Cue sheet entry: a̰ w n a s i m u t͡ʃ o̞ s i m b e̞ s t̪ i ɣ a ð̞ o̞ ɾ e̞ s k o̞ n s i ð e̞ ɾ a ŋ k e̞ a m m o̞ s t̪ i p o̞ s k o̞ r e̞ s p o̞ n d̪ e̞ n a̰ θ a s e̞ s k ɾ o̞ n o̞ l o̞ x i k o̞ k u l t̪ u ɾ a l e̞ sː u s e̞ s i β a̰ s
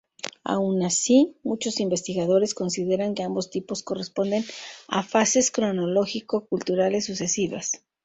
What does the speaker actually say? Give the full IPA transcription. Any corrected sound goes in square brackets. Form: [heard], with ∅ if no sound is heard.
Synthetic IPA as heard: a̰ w n a s i m u t͡ʃ o̞ s i m b e̞ s t̪ i ɣ a ð̞ o̞ ɾ e̞ s k o̞ n s i ð e̞ ɾ a ŋ k e̞ a m [b] o̞ s t̪ i p o̞ s k o̞ r e̞ s p o̞ n d̪ e̞ n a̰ [f] a s e̞ s k ɾ o̞ n o̞ l o̞ x i k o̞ k u l t̪ u ɾ a l e̞ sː u s e̞ s i β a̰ s